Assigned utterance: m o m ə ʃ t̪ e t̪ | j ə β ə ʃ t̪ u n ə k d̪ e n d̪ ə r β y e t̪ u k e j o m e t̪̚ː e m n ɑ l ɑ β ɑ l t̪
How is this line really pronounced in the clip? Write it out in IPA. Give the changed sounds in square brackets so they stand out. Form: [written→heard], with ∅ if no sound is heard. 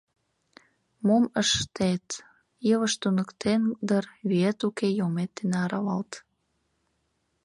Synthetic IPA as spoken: m o m ə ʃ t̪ e t̪ | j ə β ə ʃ t̪ u n ə k [d̪→t̪] e n d̪ ə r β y e t̪ u k e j o m e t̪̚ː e [m→∅] n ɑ [l→ɾ] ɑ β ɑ l t̪

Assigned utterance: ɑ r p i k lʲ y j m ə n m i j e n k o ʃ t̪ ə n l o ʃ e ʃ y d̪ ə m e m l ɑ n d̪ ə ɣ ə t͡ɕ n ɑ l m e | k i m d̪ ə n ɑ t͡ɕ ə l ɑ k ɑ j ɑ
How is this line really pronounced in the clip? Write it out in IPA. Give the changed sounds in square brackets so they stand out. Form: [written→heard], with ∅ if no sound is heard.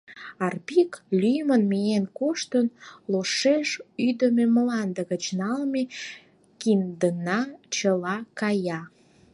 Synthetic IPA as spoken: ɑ r p i k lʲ y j m ə n m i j e n k o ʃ t̪ ə n l o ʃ e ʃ y d̪ ə m e m l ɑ n d̪ ə ɣ ə t͡ɕ n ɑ l m e | k i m d̪ ə n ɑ t͡ɕ ə l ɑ k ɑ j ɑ

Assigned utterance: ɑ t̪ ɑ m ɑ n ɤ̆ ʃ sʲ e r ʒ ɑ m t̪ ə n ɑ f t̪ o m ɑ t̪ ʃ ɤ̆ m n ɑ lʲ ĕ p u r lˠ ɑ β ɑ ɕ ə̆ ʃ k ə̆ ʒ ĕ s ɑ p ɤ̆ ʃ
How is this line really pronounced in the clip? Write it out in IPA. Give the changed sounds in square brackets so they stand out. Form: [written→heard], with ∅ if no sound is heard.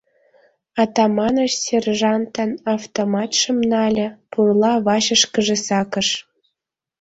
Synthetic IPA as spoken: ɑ t̪ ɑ m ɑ n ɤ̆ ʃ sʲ e r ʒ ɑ [m→n] t̪ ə n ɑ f t̪ o m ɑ t̪ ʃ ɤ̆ m n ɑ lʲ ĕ p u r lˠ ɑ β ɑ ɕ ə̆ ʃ k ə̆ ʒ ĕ s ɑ [p→k] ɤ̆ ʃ

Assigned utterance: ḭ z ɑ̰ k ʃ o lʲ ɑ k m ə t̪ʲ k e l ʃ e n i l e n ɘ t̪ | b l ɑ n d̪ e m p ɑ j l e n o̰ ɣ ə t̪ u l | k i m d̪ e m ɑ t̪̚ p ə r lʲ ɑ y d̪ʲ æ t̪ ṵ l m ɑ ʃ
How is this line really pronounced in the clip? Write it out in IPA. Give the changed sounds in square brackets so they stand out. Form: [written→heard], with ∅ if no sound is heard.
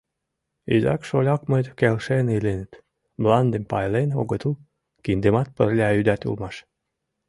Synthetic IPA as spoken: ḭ z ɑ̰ k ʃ o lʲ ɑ k m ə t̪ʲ k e l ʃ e n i l e n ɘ t̪ | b l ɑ n d̪ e m p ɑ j l e n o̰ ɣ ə t̪ u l | k i [m→n] d̪ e m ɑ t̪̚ p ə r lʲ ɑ y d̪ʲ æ t̪ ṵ l m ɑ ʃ

